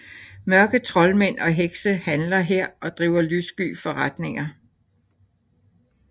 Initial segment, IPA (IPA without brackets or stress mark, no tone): m